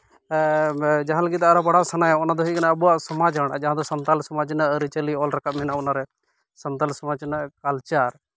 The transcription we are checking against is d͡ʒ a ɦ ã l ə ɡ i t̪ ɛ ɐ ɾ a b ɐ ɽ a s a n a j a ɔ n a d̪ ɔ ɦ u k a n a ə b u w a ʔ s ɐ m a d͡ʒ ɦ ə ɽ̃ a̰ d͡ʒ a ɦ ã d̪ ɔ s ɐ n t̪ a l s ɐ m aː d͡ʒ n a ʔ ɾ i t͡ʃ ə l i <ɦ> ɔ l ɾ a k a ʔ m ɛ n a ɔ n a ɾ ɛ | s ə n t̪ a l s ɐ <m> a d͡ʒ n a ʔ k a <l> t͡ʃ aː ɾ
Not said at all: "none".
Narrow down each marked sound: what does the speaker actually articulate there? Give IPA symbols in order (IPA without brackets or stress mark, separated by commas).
none, m, l